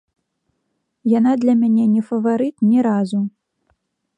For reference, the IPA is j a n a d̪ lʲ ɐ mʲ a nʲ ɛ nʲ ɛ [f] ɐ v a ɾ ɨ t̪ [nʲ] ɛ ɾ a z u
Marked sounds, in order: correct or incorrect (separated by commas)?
correct, correct